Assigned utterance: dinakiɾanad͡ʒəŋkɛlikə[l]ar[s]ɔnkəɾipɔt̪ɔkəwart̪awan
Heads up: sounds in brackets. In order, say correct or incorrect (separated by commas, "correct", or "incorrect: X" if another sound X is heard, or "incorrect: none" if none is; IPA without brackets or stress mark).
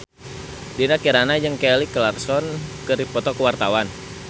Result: correct, correct